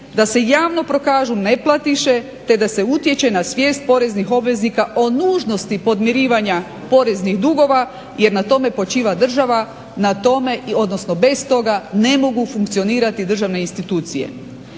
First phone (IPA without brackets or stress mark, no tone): d̪